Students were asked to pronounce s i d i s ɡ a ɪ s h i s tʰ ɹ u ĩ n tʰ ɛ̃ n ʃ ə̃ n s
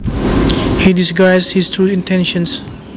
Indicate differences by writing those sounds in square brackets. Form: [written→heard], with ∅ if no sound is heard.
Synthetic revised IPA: [s→h] i d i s ɡ a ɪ s h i s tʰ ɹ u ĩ n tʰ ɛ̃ n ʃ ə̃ n s